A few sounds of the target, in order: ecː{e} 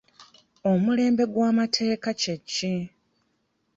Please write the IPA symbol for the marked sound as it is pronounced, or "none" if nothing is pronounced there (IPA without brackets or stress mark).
i